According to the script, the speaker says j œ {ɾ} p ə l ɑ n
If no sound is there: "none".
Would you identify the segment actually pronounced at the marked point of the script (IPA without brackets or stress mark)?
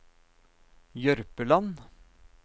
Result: ɾ